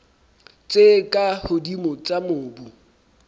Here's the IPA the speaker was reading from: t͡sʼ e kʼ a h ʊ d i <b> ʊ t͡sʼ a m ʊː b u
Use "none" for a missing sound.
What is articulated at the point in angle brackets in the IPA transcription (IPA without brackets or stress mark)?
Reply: m